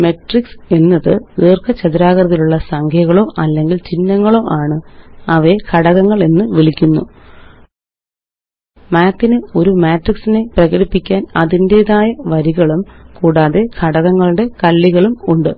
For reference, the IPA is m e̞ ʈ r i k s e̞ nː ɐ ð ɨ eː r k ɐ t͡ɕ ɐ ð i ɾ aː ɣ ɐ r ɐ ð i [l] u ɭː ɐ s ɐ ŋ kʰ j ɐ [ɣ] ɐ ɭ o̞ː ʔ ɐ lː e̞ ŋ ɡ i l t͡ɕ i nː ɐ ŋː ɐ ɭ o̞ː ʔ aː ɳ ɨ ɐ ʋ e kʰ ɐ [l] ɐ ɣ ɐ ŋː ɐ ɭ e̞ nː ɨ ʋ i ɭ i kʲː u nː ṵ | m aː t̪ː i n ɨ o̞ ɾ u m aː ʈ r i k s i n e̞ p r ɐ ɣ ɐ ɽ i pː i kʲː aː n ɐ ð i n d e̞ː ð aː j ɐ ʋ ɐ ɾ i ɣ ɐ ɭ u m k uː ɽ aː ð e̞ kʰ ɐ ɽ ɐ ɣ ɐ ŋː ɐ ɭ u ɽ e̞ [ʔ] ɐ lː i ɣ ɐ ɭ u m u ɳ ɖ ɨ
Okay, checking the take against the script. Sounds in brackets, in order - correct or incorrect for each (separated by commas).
correct, correct, incorrect, incorrect